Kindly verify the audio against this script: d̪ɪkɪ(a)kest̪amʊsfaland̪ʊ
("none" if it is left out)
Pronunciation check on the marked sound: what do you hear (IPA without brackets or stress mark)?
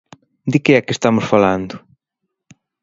ɛ